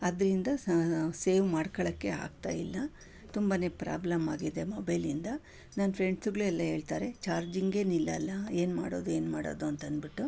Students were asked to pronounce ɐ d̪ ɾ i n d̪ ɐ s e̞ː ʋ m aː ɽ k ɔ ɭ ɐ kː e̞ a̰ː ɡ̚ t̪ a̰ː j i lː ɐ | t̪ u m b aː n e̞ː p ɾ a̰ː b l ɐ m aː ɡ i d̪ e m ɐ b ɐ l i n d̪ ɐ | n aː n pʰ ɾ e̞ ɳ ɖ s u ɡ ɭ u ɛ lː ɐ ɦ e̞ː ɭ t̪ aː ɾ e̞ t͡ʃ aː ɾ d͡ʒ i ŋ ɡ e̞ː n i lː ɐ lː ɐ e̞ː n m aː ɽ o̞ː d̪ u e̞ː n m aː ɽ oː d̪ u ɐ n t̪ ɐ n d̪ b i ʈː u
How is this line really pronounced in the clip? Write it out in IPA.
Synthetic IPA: ɐ d̪ ɾ i n d̪ ɐ s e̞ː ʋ m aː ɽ k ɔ ɭ ɐ kː e̞ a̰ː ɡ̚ t̪ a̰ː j i lː ɐ | t̪ u m b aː n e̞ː p ɾ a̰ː b l ɐ m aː ɡ i d̪ e m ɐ b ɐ l i n d̪ ɐ | n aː n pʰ ɾ e̞ ɳ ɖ s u ɡ ɭ u ɛ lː ɐ ɦ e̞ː ɭ t̪ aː ɾ e̞ t͡ʃ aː ɾ d͡ʒ i ŋ ɡ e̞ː n i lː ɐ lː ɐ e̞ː n m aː ɽ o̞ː d̪ u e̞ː n m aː ɽ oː d̪ u ɐ n t̪ ɐ n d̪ b i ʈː u